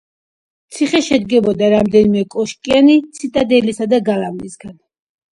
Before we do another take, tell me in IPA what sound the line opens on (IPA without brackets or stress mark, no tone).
t̪